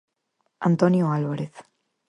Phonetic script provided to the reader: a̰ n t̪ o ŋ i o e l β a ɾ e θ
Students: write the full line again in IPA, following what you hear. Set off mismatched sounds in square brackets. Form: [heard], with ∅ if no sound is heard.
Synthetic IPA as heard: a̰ n t̪ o [n] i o [a] l β a ɾ e θ